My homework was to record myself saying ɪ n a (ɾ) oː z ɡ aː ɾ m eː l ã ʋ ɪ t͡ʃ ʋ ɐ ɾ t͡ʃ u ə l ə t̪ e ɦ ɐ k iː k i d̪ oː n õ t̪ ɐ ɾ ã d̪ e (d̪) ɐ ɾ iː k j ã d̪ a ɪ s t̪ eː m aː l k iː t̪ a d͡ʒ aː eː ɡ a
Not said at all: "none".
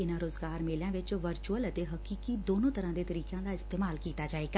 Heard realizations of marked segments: ɾ, t̪

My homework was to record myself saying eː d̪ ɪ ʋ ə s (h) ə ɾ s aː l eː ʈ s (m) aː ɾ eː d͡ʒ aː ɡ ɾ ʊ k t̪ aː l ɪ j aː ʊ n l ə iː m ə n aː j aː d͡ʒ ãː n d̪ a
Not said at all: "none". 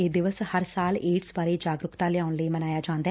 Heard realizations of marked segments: h, b

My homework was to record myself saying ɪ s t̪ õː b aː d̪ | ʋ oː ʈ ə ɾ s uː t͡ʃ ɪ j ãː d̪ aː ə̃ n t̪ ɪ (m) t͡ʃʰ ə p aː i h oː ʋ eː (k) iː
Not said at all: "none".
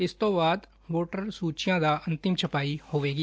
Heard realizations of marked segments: m, ɡ

